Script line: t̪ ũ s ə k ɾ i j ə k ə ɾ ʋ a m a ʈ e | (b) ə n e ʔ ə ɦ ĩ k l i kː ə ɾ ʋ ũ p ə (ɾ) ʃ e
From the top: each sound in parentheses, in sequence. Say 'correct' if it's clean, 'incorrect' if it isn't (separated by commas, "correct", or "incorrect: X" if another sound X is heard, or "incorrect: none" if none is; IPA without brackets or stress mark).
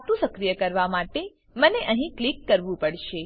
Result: incorrect: m, incorrect: ɽ